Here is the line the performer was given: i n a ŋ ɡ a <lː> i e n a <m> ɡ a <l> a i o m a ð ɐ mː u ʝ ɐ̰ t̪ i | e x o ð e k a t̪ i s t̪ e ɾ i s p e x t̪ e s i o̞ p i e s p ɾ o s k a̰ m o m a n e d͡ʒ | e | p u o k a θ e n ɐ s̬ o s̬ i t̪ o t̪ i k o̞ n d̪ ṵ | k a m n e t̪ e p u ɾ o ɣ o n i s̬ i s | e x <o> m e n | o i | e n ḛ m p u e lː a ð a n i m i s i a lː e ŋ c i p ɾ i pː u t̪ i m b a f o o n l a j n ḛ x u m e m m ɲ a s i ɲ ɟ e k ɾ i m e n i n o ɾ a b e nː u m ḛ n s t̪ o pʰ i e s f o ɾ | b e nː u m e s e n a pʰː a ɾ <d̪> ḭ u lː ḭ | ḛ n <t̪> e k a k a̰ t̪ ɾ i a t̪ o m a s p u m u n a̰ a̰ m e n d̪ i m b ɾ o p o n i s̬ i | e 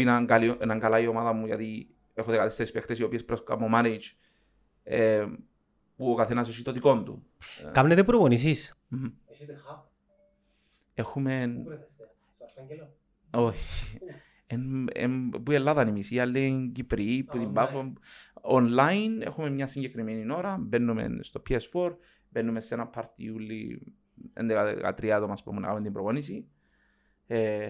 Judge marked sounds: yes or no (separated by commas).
no, no, yes, no, no, no